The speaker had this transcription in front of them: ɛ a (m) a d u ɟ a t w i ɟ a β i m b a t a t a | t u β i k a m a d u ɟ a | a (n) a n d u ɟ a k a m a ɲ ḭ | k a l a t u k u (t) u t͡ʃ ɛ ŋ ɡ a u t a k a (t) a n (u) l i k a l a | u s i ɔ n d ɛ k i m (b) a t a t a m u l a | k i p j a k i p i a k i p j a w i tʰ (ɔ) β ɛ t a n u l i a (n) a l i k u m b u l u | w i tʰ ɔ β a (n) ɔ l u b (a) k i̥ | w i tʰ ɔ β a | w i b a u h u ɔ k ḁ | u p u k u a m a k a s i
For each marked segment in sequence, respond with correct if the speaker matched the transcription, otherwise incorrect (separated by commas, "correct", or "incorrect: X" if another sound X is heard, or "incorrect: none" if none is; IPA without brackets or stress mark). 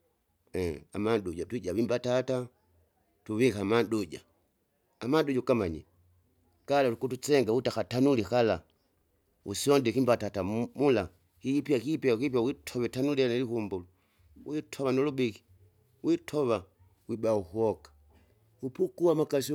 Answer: correct, incorrect: m, correct, correct, correct, correct, correct, correct, correct, incorrect: i